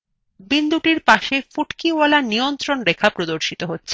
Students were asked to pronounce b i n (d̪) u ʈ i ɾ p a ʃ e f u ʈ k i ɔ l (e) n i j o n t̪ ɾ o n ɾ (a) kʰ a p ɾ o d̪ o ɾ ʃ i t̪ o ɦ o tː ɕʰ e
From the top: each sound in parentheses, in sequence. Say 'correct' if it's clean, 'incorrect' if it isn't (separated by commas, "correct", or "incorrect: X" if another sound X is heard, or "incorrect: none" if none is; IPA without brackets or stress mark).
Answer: correct, incorrect: a, incorrect: e